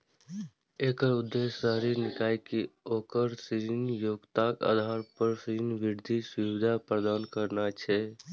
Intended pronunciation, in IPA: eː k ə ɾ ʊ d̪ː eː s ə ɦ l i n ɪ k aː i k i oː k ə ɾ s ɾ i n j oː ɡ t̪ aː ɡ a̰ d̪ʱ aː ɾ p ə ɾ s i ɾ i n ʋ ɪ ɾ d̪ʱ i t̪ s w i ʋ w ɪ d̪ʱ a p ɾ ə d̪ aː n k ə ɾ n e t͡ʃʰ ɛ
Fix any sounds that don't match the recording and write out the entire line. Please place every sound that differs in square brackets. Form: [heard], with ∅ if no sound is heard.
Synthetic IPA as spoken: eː k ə ɾ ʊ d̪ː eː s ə ɦ [ɾ] i n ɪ k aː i k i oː k ə ɾ s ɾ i n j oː ɡ t̪ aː [k] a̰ d̪ʱ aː ɾ p ə ɾ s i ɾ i n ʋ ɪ ɾ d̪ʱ i [∅] s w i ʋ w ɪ d̪ʱ a p ɾ ə d̪ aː n k ə ɾ n [a] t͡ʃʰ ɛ